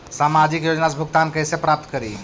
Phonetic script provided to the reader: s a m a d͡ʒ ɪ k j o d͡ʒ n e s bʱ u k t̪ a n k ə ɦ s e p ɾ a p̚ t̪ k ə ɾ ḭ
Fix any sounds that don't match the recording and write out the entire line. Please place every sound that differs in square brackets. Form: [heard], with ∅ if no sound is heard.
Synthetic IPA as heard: s a m a d͡ʒ [i] k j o d͡ʒ n [a] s bʱ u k t̪ a n k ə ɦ s e p ɾ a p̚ t̪ k ə ɾ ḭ